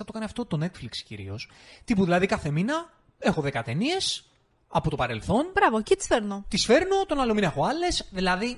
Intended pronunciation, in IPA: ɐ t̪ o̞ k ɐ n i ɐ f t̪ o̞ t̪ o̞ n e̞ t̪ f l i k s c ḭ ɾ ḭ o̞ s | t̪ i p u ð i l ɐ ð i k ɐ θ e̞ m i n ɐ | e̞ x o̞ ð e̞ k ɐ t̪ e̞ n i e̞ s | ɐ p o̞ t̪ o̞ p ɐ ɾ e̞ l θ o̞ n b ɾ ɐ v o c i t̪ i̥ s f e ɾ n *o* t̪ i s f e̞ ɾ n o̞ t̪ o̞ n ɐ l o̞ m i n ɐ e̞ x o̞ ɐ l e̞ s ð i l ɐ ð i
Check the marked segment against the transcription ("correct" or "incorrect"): correct